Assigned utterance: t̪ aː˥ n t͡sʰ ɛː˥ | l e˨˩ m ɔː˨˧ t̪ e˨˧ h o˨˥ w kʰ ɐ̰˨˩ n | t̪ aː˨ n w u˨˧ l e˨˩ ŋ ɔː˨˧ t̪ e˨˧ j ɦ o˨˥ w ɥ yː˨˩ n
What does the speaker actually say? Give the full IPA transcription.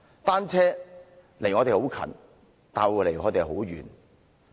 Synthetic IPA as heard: t̪ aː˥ n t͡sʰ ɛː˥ | l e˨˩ ŋ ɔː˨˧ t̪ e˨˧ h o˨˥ w kʰ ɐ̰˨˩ n | t̪ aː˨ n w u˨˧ l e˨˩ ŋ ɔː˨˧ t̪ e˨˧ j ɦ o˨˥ w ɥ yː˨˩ n

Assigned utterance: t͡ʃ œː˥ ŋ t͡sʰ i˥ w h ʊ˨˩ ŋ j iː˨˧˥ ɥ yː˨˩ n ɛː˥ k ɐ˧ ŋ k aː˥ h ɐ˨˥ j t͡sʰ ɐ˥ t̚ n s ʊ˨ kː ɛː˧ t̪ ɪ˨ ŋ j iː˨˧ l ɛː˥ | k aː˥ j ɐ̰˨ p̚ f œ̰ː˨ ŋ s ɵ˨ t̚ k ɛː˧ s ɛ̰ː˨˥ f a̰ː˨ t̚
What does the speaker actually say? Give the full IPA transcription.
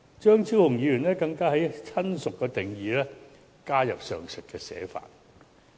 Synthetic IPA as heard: t͡ʃ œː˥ ŋ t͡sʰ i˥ w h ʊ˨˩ ŋ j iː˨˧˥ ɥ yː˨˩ n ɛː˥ k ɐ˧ ŋ k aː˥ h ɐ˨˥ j t͡sʰ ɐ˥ n s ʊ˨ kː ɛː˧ t̪ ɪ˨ ŋ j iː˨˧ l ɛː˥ | k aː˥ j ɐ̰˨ p̚ s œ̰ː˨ ŋ s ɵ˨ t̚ k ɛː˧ s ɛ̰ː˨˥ f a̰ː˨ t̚

